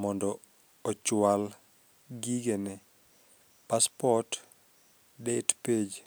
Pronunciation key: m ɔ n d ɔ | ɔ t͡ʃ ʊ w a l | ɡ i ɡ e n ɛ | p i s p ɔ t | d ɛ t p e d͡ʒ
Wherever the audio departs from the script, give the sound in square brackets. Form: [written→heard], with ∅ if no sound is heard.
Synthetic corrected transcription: m ɔ n d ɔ | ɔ t͡ʃ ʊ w a l | ɡ i ɡ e n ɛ | p [i→a] s p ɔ t | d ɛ t p e d͡ʒ